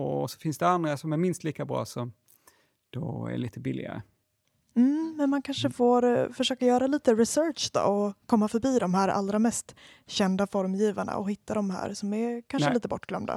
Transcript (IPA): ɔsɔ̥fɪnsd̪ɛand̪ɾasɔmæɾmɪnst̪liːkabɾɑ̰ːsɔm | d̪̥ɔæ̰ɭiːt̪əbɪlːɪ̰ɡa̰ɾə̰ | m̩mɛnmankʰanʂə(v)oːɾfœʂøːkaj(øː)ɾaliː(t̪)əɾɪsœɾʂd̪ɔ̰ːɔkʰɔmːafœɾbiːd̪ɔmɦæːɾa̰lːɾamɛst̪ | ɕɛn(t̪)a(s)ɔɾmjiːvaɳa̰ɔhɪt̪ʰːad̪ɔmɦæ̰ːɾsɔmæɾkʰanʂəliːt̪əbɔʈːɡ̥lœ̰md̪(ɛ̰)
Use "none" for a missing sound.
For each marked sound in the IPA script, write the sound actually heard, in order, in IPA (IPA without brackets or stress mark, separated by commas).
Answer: f, œː, t̪, d̪, f, a̰